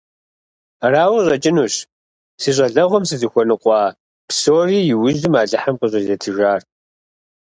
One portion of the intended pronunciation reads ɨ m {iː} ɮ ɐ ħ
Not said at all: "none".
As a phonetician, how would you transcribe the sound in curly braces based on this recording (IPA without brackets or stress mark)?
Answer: aː